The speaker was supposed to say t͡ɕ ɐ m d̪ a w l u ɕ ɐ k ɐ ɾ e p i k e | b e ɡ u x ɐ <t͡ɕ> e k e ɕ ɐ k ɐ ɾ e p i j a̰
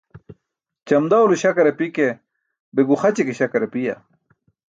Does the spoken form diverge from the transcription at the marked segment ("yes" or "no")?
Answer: no